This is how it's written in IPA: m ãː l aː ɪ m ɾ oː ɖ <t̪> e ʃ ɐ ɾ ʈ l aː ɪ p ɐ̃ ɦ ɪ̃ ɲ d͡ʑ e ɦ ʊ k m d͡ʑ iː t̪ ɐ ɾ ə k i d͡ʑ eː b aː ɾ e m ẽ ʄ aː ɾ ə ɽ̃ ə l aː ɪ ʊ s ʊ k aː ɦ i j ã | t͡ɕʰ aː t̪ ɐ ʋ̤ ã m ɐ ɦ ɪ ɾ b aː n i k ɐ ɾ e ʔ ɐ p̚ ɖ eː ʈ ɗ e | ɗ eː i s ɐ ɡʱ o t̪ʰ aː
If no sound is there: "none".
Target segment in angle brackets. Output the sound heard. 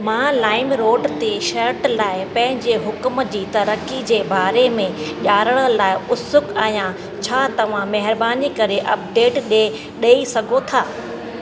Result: t̪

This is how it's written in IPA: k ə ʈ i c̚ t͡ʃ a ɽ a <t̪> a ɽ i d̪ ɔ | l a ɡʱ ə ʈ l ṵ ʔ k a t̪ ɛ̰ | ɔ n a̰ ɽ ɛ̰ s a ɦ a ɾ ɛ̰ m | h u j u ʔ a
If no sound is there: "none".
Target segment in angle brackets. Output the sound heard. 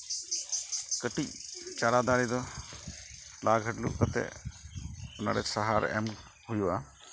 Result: d̪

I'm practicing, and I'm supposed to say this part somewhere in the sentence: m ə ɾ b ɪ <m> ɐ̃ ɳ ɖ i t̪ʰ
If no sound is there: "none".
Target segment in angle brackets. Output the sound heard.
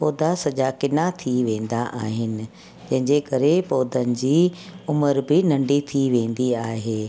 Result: n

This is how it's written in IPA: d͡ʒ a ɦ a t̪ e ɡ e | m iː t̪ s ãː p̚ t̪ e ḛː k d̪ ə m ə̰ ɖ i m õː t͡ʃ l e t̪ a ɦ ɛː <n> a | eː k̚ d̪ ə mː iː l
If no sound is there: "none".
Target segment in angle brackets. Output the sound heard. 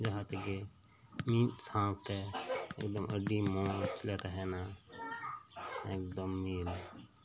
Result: n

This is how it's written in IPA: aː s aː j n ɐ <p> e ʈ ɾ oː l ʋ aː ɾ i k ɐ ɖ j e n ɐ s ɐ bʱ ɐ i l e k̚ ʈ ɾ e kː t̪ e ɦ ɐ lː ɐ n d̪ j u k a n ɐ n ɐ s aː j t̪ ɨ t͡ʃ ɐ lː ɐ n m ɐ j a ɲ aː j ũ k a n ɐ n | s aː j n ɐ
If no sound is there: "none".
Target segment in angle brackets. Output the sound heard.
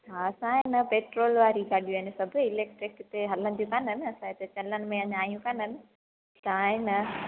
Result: p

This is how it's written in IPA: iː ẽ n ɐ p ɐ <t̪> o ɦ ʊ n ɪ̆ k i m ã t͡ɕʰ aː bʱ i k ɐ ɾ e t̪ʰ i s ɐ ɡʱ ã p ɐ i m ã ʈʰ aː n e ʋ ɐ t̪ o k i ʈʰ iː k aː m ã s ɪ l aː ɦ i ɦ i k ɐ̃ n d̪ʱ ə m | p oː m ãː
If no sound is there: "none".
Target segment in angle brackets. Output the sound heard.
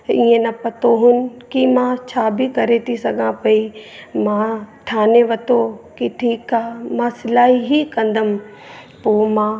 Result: t̪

